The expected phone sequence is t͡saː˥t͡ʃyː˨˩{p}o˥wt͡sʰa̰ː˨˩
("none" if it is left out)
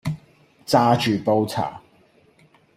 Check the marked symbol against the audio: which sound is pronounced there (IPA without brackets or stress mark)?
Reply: p